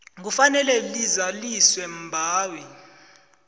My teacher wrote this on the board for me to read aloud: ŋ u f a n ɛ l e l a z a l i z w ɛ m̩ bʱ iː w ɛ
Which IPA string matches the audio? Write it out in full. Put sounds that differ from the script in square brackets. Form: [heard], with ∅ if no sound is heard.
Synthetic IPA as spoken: ŋ u f a n ɛ l [ɛ] l [i] z a l i [s] w ɛ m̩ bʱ [aː] w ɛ